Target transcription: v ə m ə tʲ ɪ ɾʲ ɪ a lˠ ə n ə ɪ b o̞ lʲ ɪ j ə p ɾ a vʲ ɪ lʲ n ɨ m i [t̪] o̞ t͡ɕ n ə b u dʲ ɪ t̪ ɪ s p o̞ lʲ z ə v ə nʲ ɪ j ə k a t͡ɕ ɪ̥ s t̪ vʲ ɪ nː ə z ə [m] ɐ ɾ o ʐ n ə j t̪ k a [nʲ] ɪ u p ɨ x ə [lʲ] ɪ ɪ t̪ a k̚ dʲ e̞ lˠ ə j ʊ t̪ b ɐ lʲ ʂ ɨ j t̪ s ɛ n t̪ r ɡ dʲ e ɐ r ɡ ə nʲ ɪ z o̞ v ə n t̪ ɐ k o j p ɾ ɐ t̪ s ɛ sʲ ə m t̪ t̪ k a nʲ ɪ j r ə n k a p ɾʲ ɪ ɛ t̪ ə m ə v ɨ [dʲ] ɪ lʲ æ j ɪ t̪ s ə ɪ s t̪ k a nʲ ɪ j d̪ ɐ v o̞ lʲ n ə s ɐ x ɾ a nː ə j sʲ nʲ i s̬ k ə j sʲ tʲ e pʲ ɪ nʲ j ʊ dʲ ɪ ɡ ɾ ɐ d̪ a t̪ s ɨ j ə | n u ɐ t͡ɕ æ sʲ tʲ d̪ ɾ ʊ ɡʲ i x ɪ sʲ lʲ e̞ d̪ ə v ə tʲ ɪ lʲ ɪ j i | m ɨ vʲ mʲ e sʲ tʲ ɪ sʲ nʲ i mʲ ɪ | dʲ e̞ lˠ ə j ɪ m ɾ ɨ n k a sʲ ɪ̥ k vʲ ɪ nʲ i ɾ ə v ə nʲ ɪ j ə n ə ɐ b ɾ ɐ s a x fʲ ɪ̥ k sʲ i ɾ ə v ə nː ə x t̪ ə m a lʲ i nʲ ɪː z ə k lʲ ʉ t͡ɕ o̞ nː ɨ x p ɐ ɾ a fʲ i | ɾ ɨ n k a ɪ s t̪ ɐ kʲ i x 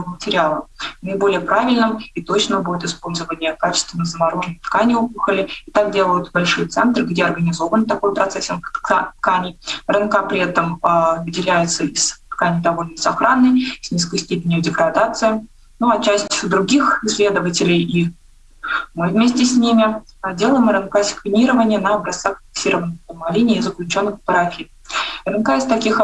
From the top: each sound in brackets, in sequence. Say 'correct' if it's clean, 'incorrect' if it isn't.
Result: correct, correct, correct, correct, correct

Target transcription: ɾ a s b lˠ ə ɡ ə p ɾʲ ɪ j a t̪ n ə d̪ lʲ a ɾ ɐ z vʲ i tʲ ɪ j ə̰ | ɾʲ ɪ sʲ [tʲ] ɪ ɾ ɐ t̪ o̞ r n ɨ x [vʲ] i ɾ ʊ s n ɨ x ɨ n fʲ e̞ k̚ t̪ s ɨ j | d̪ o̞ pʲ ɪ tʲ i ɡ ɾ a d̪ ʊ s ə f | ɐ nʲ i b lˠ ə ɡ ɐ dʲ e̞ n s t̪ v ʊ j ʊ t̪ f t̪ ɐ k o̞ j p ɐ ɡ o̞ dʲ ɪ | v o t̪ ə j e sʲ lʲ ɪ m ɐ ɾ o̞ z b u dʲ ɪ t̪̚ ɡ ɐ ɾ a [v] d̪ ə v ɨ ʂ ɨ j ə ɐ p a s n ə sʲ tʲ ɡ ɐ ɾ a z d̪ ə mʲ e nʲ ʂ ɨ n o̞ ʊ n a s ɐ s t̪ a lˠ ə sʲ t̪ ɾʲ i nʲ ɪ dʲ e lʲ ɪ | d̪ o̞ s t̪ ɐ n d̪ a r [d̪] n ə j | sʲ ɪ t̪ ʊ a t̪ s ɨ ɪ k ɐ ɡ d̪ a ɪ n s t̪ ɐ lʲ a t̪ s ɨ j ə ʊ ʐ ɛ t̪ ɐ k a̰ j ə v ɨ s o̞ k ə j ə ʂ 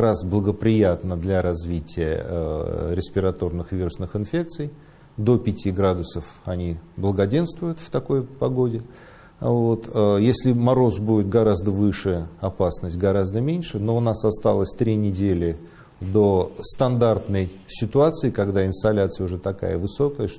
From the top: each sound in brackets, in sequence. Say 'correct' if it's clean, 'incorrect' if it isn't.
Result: incorrect: pʲ, correct, incorrect: z, incorrect: t̪

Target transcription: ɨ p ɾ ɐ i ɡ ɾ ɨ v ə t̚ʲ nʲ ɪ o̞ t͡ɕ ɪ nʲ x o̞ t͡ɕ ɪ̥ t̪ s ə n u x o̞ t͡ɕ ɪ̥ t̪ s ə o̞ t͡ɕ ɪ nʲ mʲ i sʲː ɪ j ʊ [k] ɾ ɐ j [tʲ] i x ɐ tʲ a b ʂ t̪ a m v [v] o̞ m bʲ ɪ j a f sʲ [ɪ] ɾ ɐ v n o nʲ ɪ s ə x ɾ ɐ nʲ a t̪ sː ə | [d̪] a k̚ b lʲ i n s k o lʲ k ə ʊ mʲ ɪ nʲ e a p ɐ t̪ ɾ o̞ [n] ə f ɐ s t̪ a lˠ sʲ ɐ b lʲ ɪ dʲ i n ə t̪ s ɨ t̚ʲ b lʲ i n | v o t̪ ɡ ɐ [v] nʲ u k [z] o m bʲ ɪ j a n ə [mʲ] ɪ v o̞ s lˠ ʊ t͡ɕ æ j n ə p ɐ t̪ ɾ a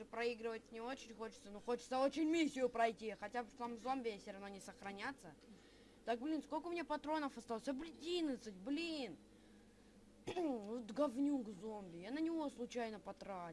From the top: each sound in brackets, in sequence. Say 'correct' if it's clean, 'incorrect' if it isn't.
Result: incorrect: p, correct, incorrect: z, correct, incorrect: t̪, correct, correct, correct, incorrect: nʲ

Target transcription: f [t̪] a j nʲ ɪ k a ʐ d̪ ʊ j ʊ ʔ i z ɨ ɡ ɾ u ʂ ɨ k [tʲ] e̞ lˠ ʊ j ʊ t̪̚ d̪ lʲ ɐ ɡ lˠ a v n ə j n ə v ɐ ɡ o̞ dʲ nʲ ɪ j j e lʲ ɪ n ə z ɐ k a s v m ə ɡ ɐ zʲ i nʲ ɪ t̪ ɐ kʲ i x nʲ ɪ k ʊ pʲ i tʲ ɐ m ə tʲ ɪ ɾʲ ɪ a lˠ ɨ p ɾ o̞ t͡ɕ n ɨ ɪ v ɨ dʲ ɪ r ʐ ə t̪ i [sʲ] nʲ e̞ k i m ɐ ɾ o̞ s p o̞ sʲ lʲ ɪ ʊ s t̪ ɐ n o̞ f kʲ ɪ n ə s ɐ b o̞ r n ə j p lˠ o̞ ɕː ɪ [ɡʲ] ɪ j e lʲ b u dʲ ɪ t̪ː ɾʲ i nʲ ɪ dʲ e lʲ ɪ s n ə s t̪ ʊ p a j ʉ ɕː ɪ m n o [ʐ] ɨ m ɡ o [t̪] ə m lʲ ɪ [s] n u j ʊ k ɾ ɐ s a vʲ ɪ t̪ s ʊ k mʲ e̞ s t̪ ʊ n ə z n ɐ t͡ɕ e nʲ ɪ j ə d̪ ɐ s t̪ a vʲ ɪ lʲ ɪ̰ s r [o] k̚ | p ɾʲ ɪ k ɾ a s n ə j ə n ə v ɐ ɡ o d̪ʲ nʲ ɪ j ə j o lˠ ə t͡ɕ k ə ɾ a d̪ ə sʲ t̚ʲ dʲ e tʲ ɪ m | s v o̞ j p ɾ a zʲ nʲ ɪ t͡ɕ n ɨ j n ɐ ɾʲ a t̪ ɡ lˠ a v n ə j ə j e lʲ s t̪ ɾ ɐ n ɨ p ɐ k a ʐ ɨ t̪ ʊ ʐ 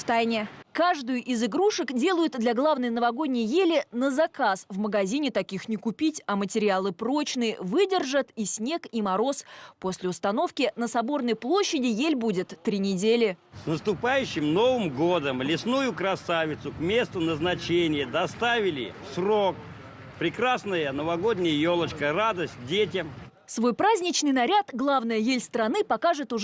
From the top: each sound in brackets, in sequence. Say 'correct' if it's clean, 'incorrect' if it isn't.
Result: correct, incorrect: dʲ, correct, incorrect: dʲ, incorrect: v, incorrect: d̪, correct, correct

